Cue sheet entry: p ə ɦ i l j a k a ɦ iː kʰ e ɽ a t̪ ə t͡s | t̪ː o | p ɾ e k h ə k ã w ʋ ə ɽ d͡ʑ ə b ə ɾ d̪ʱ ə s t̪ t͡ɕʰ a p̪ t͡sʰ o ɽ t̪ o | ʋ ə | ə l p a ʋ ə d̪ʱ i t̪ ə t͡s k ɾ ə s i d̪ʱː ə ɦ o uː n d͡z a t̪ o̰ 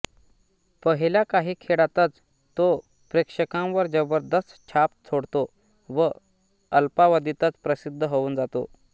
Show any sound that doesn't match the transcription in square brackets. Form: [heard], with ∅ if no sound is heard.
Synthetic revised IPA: p ə ɦ i l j a k a ɦ iː kʰ e ɽ a t̪ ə t͡s | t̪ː o | p ɾ e k [ʂ] ə k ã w ʋ ə [ɾ] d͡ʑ ə b ə ɾ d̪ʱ ə s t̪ t͡ɕʰ a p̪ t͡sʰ o ɽ t̪ o | ʋ ə | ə l p a ʋ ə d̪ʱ i t̪ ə t͡s [p] ɾ ə s i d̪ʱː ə ɦ o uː n d͡z a t̪ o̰